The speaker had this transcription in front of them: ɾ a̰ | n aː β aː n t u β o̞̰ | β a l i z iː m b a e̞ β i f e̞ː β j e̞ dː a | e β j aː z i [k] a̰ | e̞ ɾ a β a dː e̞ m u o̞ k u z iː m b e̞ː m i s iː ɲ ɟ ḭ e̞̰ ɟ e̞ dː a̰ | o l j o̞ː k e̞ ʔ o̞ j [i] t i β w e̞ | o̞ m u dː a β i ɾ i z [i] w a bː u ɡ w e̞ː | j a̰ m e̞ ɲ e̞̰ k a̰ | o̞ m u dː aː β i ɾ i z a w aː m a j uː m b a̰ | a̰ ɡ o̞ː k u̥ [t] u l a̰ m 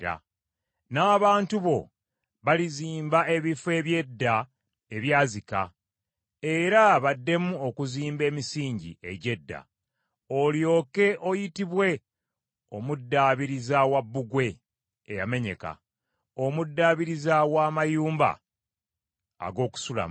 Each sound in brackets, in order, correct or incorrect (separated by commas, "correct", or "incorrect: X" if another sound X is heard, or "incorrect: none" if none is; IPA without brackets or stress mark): correct, correct, incorrect: a, incorrect: s